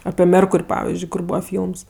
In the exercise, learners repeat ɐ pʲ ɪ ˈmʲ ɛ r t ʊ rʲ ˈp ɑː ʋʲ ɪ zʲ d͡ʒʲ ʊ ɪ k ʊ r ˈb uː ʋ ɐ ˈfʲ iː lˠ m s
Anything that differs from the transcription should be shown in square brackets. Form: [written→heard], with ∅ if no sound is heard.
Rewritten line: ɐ pʲ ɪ ˈmʲ ɛ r [t→k] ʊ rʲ ˈp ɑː ʋʲ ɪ zʲ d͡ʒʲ ʊ ɪ k ʊ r ˈb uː ʋ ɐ ˈfʲ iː lˠ m s